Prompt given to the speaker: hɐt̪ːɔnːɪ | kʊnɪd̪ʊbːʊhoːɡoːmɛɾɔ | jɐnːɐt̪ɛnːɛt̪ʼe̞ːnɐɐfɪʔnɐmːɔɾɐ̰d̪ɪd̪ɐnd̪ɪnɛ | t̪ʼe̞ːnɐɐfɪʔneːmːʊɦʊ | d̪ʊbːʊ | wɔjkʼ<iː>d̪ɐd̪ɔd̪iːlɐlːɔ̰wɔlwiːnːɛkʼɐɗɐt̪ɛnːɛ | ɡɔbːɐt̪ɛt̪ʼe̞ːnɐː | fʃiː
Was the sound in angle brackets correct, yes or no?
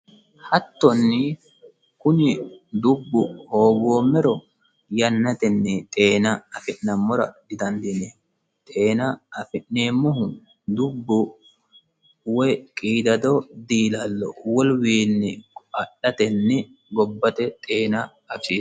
yes